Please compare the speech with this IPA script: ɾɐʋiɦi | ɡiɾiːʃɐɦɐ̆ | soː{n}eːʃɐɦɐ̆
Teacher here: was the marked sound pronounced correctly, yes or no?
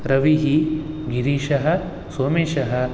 no